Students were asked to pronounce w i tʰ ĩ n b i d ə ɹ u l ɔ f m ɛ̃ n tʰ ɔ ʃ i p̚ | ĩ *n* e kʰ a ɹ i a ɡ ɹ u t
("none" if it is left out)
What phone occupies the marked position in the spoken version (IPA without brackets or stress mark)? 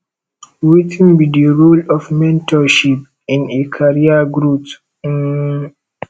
n